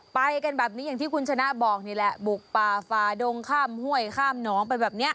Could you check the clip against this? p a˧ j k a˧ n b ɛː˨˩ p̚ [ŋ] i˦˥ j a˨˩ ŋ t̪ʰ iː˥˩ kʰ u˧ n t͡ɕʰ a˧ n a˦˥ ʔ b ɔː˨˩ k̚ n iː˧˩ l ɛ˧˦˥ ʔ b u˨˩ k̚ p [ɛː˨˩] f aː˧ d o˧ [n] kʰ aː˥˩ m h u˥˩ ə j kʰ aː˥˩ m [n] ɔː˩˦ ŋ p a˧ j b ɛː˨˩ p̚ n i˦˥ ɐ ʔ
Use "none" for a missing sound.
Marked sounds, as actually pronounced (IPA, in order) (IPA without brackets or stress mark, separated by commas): n, aː˨˩, ŋ, n